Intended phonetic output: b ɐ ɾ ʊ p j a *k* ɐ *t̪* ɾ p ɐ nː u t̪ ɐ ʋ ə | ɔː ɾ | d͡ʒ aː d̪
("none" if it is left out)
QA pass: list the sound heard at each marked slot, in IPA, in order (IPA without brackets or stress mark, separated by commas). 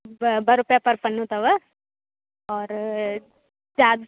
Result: p, none